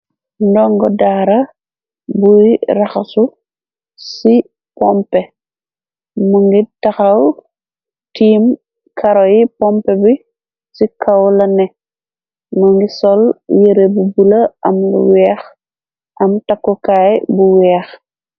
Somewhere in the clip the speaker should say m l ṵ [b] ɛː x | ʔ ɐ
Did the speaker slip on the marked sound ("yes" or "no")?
yes